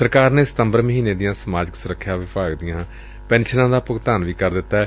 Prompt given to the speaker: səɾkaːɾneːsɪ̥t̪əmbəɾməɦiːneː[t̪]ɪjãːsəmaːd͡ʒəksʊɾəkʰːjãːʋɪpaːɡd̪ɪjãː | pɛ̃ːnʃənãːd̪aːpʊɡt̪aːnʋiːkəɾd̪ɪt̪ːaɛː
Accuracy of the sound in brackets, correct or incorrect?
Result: incorrect